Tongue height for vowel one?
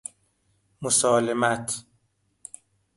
mid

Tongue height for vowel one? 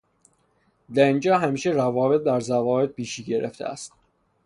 low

